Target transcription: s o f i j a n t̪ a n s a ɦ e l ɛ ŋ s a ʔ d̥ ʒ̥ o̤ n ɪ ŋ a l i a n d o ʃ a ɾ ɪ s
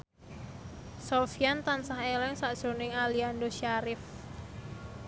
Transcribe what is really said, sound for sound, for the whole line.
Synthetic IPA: s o f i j a n t̪ a n s a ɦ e l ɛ ŋ s a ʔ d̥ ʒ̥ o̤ n ɪ ŋ a l i a n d o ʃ a ɾ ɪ f